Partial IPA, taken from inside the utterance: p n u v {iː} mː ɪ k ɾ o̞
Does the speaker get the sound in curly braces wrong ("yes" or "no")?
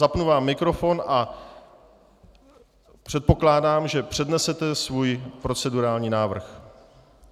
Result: yes